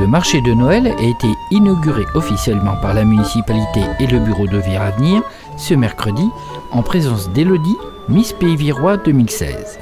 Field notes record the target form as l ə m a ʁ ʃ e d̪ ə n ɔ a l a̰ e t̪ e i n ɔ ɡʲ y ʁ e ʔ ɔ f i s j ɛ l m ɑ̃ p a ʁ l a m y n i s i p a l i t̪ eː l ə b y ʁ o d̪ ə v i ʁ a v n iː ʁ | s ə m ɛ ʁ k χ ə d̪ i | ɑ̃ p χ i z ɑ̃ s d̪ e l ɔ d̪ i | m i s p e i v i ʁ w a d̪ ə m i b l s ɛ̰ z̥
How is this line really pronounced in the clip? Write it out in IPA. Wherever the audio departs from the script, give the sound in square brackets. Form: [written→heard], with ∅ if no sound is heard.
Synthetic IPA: l ə m a ʁ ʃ e d̪ ə n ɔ [a→ɛ] l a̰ e t̪ e i n ɔ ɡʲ y ʁ e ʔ ɔ f i s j ɛ l m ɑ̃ p a ʁ l a m y n i s i p a l i t̪ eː l ə b y ʁ o d̪ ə v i ʁ a v n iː ʁ | s ə m ɛ ʁ k χ ə d̪ i | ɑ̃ p χ [i→e] z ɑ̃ s d̪ e l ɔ d̪ i | m i s p e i v i ʁ w a d̪ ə m i [b→∅] l s ɛ̰ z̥